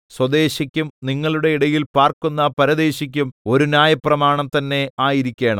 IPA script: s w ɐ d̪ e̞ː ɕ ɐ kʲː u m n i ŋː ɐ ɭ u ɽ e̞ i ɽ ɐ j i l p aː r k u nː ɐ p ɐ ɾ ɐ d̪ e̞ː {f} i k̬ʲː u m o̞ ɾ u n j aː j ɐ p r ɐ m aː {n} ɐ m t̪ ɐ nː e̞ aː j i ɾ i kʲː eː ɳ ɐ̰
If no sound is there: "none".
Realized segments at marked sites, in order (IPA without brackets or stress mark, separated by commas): ɕ, ɳ